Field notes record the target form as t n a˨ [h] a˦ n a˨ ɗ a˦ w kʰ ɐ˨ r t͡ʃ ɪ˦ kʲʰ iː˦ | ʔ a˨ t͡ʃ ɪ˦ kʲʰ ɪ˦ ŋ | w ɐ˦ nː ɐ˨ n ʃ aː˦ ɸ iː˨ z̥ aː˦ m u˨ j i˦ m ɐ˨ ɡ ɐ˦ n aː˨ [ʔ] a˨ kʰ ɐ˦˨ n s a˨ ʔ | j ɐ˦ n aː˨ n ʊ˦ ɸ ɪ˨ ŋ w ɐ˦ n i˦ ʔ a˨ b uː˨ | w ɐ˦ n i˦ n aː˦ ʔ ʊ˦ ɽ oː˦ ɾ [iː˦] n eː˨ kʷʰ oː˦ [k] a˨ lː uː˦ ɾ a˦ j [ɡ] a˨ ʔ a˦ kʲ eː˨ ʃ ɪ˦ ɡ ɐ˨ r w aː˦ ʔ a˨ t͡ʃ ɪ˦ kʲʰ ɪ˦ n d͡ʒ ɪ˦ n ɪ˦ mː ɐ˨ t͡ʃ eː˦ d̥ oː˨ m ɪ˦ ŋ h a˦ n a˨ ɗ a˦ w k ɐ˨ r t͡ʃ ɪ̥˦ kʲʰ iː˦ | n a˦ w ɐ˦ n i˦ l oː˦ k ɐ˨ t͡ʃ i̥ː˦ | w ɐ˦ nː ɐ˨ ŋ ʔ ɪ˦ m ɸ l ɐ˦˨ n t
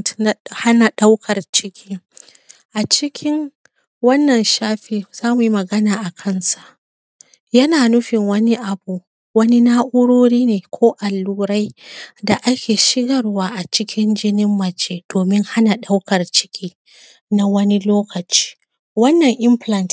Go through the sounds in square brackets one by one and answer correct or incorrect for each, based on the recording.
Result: correct, correct, correct, incorrect: ʔ, incorrect: d

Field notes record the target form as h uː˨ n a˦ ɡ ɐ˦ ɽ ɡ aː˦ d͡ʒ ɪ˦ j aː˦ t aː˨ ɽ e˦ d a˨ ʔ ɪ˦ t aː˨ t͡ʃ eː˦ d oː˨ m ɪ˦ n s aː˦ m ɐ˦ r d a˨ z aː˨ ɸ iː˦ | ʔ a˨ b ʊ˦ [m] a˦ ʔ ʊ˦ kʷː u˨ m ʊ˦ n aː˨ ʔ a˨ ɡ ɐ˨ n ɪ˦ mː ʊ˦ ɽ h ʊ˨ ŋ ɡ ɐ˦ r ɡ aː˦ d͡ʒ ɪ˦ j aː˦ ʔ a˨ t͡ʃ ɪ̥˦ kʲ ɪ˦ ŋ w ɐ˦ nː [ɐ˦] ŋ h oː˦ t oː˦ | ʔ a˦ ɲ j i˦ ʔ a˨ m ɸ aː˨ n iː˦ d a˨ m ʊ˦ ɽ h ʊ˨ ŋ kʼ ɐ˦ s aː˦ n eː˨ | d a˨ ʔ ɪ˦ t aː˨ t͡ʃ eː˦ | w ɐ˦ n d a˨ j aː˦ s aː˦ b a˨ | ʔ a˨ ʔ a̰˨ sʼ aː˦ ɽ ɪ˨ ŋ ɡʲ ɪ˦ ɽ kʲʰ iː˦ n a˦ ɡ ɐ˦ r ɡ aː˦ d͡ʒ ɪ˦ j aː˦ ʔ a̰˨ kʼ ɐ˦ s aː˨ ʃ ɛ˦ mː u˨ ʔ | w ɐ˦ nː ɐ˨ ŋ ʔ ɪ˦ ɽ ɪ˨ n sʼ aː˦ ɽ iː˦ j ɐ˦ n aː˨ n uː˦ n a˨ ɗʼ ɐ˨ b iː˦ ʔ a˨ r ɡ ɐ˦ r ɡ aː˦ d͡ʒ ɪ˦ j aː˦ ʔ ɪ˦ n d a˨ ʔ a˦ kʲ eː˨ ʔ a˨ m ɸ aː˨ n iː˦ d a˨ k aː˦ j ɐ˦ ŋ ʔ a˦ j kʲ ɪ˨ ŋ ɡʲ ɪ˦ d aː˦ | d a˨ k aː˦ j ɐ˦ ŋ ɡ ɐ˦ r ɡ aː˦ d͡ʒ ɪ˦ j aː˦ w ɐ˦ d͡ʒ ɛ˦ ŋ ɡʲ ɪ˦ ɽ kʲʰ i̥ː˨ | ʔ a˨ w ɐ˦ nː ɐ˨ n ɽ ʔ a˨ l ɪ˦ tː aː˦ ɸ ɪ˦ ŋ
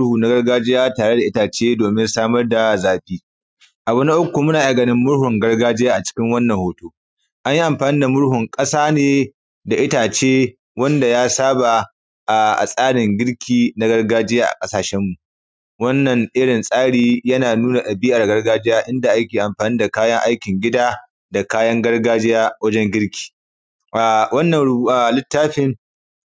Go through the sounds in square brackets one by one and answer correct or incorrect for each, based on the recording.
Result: incorrect: n, incorrect: ɐ˨

